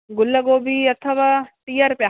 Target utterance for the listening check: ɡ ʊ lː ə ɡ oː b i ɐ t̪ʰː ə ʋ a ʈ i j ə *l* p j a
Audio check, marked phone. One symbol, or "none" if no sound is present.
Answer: ɾ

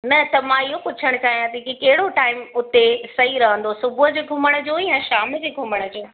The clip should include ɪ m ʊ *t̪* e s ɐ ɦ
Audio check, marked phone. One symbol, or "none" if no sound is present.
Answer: t̪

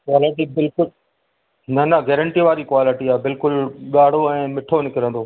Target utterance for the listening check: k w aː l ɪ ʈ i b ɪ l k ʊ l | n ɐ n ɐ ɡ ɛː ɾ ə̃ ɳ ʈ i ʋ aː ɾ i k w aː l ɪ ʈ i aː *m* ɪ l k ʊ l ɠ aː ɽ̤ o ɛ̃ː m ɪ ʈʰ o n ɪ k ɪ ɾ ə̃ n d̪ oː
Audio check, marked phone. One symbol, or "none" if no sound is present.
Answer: b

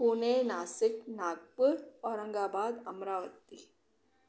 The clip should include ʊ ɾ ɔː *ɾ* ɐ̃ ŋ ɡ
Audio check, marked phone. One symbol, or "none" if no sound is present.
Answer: ɾ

